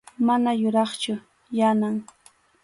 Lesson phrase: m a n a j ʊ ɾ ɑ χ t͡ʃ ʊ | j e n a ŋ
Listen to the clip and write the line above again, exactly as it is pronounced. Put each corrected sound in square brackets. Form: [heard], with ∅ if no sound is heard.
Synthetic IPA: m a n a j ʊ ɾ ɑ χ t͡ʃ ʊ | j [a] n a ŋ